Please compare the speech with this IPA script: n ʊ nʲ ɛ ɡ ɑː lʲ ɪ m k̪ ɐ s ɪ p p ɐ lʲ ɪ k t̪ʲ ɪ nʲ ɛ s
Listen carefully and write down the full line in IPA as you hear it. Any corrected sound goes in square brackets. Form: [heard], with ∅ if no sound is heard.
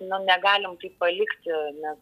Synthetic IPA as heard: n ʊ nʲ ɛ ɡ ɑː lʲ ɪ m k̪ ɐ [∅] ɪ p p ɐ lʲ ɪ k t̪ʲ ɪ nʲ ɛ s